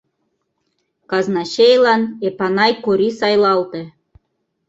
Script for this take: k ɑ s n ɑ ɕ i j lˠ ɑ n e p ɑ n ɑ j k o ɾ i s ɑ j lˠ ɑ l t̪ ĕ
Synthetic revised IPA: k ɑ z n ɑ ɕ e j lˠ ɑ n e p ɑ n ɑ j k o ɾ i s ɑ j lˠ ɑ l t̪ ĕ